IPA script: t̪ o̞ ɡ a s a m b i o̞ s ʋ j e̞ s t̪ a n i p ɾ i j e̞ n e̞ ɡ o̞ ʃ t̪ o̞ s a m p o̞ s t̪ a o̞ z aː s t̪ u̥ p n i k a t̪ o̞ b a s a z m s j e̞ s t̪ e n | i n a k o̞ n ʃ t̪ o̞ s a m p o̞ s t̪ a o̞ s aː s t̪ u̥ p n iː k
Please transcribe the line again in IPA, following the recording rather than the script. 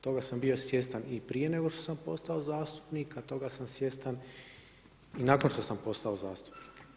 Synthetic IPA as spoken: t̪ o̞ ɡ a s a m b i o̞ s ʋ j e̞ s t̪ a n i p ɾ i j e̞ n e̞ ɡ o̞ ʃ t̪ o̞ s a m p o̞ s t̪ a o̞ z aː s t̪ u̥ p n i k a t̪ o̞ ɡ a s a m s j e̞ s t̪ a n | i n a k o̞ n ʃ t̪ o̞ s a m p o̞ s t̪ a o̞ z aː s t̪ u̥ p n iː k